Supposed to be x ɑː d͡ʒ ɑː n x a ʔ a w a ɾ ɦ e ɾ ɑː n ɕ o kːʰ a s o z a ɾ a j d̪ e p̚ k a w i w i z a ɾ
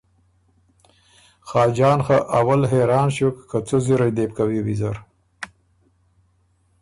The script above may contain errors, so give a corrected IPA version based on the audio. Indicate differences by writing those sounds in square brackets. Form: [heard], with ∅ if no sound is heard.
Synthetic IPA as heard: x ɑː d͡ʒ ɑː n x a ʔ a w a [l] ɦ e ɾ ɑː n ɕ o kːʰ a [t͡s] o z [i] ɾ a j d̪ e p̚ k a w i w i z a ɾ